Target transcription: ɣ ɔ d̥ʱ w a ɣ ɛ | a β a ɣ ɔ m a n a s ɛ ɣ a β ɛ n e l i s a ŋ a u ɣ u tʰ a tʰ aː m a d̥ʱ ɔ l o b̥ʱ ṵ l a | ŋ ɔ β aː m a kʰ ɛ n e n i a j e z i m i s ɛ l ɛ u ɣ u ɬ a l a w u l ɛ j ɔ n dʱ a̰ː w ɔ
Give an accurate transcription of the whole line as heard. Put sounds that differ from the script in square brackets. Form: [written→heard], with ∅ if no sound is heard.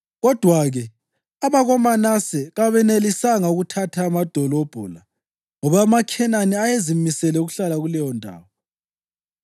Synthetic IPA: ɣ ɔ d̥ʱ w a ɣ ɛ | a β a ɣ ɔ m a n a s ɛ ɣ a β ɛ n e l i s a ŋ a u ɣ u tʰ a tʰ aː m a d̥ʱ ɔ l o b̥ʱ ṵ l a | ŋ ɔ β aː m a kʰ ɛ n [e→a] n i a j e z i m i s ɛ l ɛ u ɣ u ɬ a l a [w→ɣ] u l ɛ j ɔ n dʱ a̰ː w ɔ